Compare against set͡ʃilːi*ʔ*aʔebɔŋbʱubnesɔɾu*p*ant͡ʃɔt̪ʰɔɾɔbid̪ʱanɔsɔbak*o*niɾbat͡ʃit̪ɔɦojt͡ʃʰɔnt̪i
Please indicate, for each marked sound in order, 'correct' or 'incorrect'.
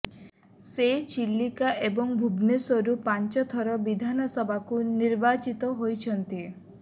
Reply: incorrect, correct, incorrect

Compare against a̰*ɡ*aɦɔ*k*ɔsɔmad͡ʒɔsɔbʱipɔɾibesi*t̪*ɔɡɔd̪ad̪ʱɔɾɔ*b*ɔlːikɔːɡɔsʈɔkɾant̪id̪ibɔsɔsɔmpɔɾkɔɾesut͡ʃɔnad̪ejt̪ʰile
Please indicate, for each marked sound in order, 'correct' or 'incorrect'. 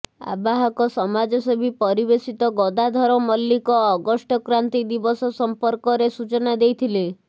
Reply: incorrect, correct, correct, incorrect

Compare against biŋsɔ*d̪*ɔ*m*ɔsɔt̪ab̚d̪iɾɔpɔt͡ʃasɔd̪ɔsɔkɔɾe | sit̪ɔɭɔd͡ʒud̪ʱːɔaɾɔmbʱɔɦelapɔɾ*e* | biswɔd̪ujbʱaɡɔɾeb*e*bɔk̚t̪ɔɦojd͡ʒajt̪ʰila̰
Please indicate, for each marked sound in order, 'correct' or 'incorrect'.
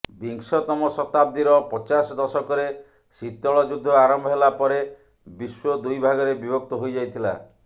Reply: incorrect, correct, correct, incorrect

